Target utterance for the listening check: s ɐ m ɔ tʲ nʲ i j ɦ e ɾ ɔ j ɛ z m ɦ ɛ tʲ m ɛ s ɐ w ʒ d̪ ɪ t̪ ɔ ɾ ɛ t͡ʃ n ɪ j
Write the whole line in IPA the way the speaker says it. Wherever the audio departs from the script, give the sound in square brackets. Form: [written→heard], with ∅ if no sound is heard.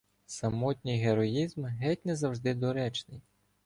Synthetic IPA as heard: s ɐ m ɔ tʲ nʲ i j ɦ e ɾ ɔ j [ɛ→i] z m ɦ ɛ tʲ [m→n] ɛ [s→z] ɐ w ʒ d̪ ɪ [t̪→d̪] ɔ ɾ ɛ t͡ʃ n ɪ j